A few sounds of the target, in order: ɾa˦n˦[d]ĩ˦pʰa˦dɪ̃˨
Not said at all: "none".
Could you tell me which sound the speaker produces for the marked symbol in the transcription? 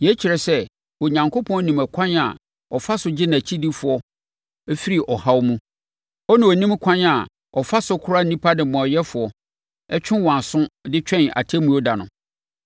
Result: n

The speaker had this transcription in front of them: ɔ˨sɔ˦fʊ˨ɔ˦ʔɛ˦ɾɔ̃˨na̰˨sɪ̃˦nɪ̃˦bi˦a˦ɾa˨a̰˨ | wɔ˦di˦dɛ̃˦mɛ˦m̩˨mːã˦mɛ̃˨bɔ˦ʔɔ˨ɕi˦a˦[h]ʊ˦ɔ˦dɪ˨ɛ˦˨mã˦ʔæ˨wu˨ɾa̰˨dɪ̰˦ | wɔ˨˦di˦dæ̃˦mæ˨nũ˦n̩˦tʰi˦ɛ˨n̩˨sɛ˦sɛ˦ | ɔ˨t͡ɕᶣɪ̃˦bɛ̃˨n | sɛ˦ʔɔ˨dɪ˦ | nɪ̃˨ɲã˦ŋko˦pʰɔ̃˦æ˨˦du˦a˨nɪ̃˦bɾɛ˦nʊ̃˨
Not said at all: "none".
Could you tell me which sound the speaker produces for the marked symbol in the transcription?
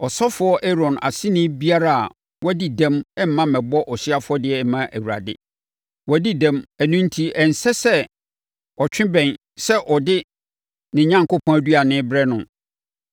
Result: f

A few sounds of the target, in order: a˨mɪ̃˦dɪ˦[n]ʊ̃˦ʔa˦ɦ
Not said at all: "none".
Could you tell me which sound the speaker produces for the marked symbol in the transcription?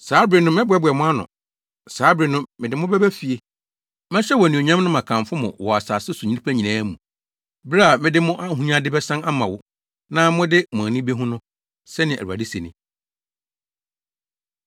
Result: m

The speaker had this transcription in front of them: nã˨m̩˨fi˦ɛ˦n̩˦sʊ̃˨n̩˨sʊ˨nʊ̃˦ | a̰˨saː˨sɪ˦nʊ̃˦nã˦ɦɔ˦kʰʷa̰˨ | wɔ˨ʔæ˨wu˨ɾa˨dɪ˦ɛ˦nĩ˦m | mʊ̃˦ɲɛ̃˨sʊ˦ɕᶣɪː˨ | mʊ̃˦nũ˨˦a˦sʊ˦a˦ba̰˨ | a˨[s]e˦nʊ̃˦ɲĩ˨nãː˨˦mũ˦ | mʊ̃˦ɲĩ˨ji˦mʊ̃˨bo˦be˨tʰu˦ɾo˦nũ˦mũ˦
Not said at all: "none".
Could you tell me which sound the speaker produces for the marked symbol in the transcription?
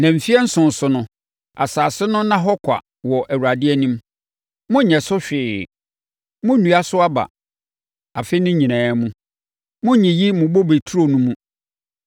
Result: f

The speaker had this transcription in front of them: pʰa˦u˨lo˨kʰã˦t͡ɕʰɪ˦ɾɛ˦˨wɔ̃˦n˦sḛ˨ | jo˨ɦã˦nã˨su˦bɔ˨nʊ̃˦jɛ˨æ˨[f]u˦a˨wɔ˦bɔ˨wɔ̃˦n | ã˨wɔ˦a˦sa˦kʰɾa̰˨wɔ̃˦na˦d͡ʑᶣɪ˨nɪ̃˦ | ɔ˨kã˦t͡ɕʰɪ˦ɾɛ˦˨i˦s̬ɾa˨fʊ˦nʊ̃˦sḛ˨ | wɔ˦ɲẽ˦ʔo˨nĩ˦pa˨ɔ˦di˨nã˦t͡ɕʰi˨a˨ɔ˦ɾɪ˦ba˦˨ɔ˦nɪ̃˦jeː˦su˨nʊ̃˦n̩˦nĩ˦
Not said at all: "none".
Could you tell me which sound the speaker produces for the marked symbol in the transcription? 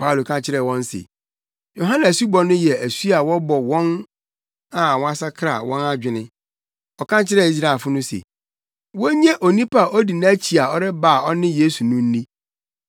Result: s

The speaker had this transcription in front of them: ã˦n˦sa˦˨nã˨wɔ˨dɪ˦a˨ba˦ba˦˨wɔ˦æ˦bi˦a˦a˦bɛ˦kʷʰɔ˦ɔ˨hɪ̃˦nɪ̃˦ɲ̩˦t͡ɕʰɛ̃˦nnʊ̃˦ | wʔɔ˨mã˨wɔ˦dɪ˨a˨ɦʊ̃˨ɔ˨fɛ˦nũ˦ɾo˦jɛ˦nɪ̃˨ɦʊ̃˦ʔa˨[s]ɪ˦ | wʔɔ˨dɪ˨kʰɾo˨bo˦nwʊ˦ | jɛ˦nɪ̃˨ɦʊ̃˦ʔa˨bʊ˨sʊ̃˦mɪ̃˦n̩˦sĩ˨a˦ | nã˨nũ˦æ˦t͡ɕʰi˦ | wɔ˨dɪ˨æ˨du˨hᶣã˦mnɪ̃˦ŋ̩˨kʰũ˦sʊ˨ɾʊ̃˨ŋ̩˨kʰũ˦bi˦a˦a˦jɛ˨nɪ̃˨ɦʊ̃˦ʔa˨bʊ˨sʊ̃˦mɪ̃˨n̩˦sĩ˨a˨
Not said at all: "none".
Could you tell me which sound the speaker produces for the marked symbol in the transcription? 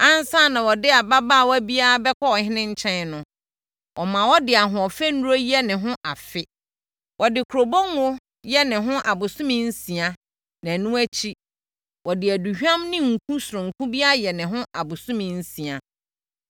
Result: f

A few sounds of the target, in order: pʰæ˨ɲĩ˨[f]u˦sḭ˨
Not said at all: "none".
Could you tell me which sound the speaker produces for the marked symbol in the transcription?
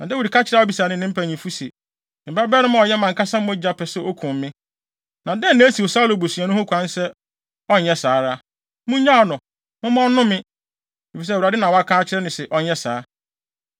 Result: f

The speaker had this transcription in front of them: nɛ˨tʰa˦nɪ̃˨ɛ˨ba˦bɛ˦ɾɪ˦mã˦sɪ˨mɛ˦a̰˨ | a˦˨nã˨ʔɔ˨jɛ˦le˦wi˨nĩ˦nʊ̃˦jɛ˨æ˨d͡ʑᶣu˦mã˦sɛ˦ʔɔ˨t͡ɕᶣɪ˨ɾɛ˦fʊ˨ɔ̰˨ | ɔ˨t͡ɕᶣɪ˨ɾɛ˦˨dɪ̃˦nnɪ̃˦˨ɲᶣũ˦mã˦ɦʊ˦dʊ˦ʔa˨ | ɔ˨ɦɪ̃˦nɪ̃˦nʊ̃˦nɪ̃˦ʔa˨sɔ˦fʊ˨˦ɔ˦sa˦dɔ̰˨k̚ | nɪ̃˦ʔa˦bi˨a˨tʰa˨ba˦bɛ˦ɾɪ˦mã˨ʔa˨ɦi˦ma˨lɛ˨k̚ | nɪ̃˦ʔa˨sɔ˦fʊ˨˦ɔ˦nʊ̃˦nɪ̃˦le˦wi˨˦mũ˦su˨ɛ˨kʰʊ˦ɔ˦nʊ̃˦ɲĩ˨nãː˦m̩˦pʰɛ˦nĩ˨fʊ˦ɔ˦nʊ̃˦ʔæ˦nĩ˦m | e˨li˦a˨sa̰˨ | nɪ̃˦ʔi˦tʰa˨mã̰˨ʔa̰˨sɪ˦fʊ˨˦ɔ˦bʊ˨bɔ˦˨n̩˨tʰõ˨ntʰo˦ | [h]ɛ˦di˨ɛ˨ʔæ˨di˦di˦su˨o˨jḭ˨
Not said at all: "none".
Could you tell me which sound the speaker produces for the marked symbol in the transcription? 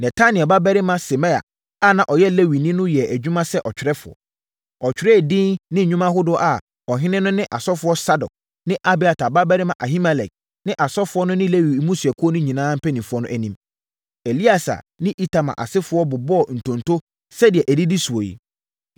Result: s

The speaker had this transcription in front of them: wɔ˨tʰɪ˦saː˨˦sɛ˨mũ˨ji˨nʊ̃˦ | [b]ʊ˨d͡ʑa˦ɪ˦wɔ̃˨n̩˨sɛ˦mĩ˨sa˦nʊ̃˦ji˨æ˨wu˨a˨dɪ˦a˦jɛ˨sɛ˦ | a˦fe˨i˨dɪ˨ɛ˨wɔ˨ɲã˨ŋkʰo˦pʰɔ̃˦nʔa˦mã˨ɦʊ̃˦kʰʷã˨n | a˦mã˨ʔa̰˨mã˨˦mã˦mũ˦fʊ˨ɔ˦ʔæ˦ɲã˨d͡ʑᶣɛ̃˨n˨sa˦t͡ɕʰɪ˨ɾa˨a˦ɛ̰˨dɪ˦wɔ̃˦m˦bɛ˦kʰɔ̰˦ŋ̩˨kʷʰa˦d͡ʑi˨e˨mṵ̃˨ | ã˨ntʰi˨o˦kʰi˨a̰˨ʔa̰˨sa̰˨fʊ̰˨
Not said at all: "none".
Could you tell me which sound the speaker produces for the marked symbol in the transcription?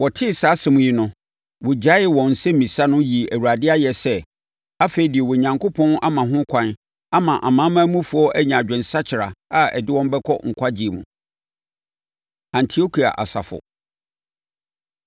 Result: w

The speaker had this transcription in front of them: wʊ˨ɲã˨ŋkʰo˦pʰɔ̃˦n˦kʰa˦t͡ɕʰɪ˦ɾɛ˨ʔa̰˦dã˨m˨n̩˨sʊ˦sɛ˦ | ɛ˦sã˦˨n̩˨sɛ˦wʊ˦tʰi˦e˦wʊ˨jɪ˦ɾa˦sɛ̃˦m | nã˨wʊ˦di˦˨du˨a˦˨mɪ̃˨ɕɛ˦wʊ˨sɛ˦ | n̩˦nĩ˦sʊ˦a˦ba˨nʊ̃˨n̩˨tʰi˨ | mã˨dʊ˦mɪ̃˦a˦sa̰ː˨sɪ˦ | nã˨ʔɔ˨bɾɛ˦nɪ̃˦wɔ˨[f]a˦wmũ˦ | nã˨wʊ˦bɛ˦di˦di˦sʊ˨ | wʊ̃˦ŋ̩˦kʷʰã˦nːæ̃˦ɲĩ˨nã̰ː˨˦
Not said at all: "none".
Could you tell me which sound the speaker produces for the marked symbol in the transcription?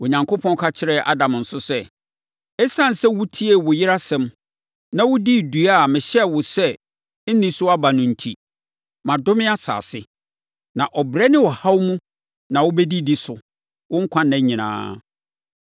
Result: h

